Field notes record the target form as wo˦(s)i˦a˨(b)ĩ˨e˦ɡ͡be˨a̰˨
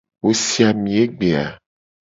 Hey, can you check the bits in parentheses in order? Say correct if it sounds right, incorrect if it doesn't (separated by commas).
correct, incorrect